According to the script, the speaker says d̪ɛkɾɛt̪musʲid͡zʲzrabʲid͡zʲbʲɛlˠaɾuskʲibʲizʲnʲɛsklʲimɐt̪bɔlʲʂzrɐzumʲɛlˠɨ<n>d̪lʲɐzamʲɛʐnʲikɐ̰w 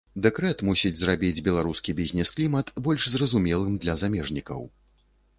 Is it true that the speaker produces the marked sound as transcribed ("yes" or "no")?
no